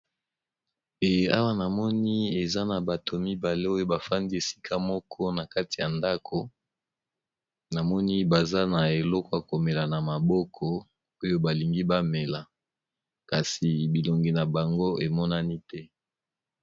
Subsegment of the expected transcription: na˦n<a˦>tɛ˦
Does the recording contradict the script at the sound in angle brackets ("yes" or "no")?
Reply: yes